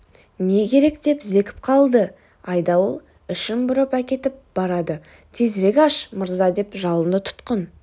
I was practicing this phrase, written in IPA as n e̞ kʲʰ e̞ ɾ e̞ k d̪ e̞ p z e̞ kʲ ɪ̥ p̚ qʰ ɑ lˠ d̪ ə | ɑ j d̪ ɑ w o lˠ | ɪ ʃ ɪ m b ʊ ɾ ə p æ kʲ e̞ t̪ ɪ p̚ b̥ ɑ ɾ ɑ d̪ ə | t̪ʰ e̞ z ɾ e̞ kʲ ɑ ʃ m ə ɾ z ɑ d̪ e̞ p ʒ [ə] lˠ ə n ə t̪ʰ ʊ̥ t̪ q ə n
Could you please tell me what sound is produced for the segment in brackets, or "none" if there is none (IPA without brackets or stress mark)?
ɑ